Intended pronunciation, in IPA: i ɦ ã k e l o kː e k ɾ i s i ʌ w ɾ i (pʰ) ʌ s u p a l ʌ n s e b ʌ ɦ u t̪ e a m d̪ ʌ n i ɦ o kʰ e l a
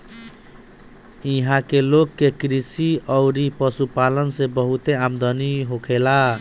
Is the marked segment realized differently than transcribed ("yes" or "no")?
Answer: yes